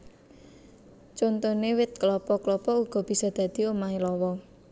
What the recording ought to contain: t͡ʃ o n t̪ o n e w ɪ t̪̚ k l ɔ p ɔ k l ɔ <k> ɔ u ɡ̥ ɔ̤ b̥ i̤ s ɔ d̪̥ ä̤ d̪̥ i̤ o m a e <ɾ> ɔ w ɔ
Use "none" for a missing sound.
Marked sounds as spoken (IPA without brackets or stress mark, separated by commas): p, l